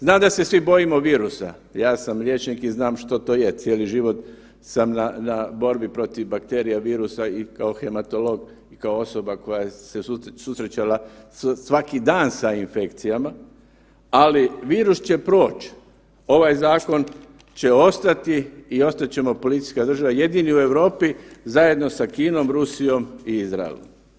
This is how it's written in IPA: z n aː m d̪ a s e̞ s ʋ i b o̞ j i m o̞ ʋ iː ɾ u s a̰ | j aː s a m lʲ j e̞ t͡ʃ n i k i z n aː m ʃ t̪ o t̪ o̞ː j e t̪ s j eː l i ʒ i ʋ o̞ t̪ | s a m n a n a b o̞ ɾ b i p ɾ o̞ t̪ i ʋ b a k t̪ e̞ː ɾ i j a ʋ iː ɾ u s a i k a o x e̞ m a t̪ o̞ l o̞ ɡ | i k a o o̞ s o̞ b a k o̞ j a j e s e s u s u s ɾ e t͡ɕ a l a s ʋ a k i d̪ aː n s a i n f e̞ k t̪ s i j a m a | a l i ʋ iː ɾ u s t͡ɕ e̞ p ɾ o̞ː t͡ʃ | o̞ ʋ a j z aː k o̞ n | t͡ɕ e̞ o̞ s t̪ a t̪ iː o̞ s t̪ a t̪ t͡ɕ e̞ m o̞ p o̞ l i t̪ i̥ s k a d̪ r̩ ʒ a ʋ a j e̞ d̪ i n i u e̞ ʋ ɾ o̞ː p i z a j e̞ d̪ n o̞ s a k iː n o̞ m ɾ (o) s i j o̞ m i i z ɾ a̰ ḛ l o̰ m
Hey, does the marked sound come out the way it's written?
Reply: no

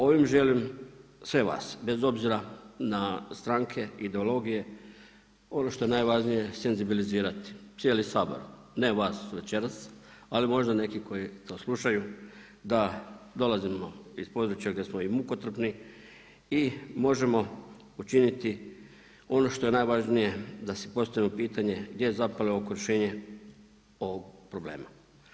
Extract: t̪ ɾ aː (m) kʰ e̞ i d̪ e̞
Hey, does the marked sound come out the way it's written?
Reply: no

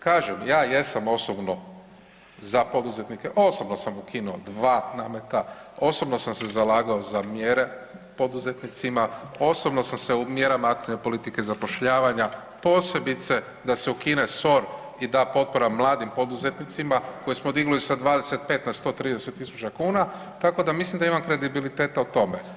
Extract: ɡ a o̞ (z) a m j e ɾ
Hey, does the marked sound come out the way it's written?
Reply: yes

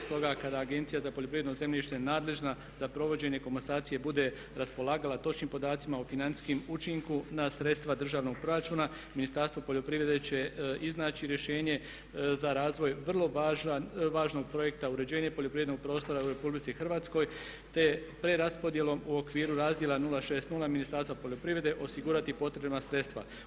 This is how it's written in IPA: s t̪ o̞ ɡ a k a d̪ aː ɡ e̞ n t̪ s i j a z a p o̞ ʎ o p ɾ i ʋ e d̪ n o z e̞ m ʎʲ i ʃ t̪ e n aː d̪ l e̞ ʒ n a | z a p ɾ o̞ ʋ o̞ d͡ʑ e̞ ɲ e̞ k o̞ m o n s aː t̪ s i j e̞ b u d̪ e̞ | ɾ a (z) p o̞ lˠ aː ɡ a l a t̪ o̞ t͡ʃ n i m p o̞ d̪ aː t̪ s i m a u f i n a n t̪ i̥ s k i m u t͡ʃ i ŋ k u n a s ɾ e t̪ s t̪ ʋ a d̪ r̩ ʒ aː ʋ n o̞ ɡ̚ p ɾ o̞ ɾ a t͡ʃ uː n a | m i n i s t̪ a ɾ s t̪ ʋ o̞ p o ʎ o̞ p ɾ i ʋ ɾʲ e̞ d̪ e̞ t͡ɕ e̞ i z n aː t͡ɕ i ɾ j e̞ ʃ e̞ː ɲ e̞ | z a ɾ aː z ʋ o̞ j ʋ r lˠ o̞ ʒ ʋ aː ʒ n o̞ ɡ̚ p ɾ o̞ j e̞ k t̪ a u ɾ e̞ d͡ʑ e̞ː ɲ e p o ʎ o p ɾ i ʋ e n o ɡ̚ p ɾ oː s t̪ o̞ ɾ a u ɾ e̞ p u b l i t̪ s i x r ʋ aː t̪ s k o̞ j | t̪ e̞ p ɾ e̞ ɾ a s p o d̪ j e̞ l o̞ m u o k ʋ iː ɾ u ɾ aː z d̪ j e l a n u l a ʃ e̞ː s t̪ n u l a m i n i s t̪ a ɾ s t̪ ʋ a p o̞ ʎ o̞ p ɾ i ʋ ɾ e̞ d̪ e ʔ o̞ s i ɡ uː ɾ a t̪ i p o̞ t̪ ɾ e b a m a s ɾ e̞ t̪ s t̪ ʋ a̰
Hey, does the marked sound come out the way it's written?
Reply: no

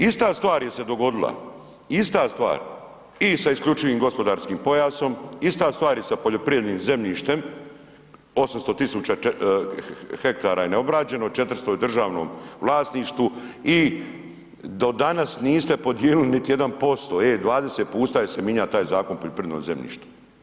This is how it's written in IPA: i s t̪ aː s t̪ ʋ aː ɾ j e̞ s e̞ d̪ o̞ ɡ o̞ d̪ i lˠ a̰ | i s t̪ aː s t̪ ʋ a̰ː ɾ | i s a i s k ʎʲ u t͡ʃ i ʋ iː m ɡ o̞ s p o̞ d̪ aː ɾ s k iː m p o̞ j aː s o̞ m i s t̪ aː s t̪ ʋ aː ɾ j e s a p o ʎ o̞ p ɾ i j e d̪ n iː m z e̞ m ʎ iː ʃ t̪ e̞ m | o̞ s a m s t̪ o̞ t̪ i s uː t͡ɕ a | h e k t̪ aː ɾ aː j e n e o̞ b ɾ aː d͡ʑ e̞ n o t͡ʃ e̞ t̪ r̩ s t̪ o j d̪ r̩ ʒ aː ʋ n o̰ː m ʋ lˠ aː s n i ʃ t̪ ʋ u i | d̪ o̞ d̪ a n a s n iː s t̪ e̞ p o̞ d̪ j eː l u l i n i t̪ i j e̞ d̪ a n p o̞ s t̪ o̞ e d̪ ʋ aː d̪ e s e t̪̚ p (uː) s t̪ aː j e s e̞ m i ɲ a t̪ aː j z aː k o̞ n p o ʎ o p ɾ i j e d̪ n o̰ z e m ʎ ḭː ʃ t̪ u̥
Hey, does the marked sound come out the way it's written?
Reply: yes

